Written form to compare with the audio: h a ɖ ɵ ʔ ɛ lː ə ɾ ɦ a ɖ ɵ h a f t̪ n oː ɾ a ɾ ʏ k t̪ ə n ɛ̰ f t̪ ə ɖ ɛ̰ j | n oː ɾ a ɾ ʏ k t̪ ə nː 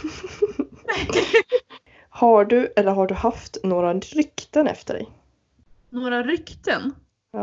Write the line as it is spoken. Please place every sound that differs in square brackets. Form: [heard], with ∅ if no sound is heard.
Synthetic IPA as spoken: h a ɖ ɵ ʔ ɛ lː ə ɾ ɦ a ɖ ɵ h a f t̪ n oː ɾ a ɾ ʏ k t̪ ə n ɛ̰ f t̪ ə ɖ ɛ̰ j | n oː ɾ a ɾ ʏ k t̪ ə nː